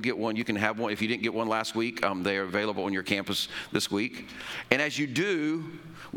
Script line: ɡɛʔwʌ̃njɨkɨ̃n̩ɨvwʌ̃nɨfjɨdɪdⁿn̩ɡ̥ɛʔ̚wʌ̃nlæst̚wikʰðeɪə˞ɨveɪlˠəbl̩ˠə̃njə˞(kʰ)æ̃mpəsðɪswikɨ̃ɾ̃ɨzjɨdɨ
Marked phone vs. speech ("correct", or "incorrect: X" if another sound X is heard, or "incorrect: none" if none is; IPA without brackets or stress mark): correct